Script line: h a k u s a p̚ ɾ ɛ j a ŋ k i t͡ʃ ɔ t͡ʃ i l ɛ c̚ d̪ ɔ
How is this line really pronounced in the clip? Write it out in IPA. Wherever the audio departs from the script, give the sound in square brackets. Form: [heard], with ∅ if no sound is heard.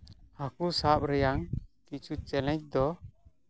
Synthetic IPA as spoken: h a k u s a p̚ ɾ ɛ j a ŋ k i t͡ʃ [u] t͡ʃ [ɛ] l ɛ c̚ d̪ ɔ